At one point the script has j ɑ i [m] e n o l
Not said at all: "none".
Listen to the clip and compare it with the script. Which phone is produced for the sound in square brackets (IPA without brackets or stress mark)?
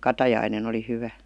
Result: n